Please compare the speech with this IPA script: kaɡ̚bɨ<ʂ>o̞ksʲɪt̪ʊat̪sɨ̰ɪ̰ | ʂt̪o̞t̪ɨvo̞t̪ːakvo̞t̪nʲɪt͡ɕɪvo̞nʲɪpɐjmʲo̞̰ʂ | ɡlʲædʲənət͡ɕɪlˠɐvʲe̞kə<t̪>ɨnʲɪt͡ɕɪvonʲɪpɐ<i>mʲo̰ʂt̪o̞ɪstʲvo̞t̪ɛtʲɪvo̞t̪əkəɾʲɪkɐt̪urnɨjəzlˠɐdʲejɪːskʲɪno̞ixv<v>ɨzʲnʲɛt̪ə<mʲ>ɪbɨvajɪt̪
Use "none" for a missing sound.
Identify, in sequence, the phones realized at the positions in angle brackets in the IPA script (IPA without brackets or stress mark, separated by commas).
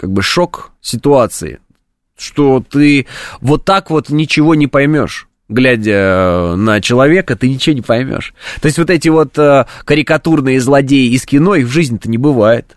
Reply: ʂ, t̪, j, ʐ, nʲ